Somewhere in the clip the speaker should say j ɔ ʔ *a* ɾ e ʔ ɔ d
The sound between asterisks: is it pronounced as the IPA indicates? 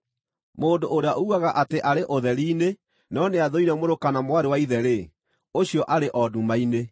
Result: yes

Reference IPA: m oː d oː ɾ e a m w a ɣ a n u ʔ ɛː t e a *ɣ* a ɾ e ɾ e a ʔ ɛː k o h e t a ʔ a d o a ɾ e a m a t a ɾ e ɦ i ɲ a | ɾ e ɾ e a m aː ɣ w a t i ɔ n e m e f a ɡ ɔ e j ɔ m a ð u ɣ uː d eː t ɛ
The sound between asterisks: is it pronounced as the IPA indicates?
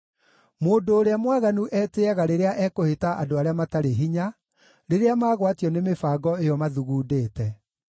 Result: yes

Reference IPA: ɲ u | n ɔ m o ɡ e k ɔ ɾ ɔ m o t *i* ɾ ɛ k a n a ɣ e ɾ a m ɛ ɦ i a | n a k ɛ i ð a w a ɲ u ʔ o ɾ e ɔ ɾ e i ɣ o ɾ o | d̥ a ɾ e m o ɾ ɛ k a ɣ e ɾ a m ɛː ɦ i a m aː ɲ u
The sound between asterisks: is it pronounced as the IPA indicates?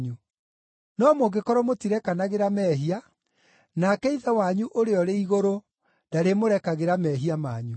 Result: yes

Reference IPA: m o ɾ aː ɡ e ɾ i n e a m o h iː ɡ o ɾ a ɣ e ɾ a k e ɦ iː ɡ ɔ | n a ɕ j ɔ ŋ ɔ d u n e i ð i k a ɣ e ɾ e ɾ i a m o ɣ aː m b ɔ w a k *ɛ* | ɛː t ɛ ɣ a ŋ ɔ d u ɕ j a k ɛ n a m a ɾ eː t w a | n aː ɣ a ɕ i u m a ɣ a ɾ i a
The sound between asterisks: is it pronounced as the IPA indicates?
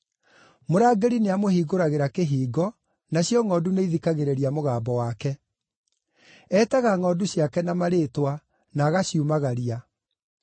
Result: yes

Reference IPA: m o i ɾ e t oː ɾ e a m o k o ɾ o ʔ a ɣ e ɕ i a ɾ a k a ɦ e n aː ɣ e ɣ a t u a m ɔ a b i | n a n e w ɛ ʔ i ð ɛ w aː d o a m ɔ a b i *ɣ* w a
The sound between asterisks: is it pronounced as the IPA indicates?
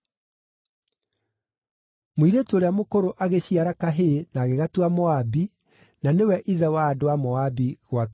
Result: yes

